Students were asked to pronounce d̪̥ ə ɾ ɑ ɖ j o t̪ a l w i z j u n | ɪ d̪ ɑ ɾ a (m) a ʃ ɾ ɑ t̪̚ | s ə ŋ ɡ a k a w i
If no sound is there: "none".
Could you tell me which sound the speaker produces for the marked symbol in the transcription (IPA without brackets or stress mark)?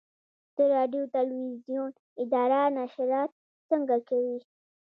n